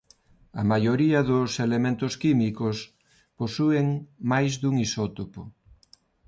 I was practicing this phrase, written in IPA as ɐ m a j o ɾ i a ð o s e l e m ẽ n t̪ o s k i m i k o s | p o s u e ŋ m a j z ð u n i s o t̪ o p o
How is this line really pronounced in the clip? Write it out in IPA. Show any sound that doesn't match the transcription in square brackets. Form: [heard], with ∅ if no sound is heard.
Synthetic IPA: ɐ m a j o ɾ i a ð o s e l e m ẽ n t̪ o s k i m i k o s | p o s u e ŋ m a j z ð u [ŋ] i s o t̪ o p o